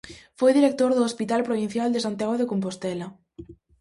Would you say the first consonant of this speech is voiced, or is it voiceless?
voiceless